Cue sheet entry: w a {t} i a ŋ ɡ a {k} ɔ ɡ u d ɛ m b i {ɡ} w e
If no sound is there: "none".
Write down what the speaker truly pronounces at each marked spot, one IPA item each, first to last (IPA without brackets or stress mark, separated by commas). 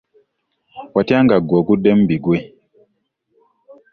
t, ɡ, ɡ